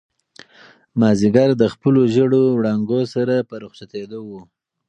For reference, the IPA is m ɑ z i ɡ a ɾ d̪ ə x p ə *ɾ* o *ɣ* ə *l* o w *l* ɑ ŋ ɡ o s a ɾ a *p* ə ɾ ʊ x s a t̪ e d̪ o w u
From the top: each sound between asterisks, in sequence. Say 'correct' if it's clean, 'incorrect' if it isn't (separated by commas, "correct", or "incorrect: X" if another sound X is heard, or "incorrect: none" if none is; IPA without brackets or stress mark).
incorrect: l, incorrect: ʒ, incorrect: ɽ, incorrect: ɽ, correct